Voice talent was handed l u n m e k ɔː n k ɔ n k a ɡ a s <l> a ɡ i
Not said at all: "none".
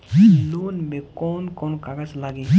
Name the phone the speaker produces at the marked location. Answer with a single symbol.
l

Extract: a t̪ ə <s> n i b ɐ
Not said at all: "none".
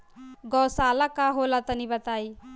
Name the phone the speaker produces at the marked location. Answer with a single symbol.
none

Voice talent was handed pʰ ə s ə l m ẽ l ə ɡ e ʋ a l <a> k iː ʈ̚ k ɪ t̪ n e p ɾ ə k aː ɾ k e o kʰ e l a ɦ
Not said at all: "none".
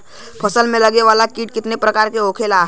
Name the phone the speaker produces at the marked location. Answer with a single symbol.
a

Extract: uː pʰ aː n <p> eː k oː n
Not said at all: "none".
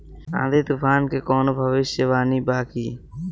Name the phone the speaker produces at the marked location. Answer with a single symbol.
k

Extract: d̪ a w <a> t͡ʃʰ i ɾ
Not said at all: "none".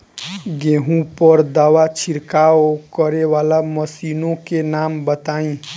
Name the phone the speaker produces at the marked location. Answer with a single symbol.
a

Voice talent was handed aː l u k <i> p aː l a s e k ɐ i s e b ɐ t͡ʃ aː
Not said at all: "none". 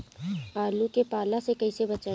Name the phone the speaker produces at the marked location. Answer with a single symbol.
e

